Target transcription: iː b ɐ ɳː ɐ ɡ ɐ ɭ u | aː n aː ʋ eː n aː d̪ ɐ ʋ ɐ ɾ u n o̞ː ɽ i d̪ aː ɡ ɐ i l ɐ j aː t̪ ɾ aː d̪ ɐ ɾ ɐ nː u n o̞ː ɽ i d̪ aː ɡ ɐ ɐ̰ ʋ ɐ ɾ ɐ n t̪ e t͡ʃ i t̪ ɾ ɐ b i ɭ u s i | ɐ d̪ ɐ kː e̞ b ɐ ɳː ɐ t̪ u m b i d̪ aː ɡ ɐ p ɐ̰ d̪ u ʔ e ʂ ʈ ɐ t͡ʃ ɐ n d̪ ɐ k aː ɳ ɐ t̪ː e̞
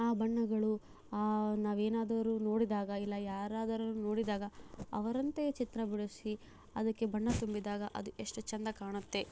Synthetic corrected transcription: aː b ɐ ɳː ɐ ɡ ɐ ɭ u | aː n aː ʋ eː n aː d̪ ɐ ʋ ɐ ɾ u n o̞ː ɽ i d̪ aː ɡ ɐ i lː ɐ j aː ɾ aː d̪ ɐ ɾ ɐ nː u n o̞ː ɽ i d̪ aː ɡ ɐ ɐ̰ ʋ ɐ ɾ ɐ n t̪ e t͡ʃ i t̪ ɾ ɐ b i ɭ u s i | ɐ d̪ ɐ kː e̞ b ɐ ɳː ɐ t̪ u m b i d̪ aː ɡ ɐ ʔ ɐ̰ d̪ u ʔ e ʂ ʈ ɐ t͡ʃ ɐ n d̪ ɐ k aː ɳ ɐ t̪ː e̞